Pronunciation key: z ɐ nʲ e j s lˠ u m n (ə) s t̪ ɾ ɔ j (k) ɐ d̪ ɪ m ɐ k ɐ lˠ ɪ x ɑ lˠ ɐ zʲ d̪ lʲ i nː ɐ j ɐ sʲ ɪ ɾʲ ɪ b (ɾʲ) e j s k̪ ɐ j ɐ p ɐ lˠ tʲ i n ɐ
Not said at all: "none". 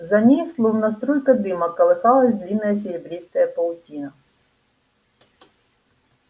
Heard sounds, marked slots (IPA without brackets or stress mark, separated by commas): ɐ, k, ɾʲ